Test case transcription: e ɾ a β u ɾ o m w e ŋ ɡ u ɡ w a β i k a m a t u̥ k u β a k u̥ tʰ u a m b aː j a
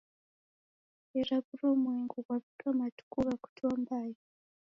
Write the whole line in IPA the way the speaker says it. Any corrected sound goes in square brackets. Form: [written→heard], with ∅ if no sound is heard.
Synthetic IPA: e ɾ a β u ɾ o m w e ŋ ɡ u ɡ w a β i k a m a t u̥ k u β a k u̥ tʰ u a m b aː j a